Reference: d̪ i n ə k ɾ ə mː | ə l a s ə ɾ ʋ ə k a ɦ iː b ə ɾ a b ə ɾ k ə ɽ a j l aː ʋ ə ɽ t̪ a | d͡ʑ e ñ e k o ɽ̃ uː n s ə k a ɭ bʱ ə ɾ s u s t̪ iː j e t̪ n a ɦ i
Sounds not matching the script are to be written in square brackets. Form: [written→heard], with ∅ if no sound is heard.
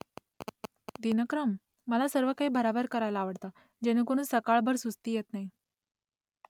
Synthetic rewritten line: d̪ i n ə k ɾ ə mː | ə l a s ə ɾ ʋ ə k a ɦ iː b ə ɾ a b ə ɾ k ə [ɽ→ɾ] a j l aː ʋ ə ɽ t̪ a | d͡ʑ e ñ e k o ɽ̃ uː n s ə k a ɭ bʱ ə ɾ s u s t̪ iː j e t̪ n a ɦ i